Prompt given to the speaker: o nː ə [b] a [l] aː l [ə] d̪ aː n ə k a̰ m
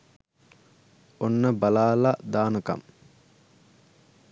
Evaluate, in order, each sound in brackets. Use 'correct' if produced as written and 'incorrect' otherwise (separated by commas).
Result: correct, correct, incorrect